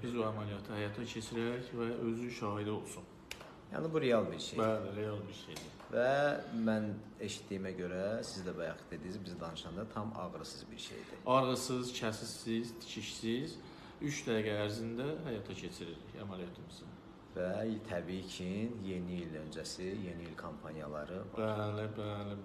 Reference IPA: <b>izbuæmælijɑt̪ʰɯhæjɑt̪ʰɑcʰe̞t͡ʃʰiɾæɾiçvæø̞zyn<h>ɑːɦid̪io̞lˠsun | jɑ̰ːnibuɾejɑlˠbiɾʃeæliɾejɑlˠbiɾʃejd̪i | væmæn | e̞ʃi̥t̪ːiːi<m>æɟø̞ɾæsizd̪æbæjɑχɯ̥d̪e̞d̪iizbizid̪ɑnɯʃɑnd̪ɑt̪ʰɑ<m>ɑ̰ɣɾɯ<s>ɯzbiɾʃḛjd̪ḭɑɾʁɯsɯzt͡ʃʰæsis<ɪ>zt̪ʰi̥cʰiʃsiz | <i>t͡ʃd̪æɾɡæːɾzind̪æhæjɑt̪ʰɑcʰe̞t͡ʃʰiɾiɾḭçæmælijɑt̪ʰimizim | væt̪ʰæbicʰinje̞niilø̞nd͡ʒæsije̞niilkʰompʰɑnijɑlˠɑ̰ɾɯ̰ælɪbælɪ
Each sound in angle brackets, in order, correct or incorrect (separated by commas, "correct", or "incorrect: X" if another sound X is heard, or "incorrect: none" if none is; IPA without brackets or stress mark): correct, incorrect: ʃ, correct, correct, correct, incorrect: i, incorrect: y